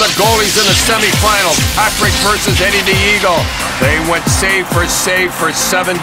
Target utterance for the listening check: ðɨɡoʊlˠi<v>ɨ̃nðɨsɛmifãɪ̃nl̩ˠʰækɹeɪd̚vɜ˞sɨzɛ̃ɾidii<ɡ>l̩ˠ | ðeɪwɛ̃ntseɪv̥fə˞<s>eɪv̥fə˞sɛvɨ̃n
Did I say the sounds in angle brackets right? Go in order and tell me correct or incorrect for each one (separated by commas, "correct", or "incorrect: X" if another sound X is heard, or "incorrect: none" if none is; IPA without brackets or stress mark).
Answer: incorrect: z, correct, correct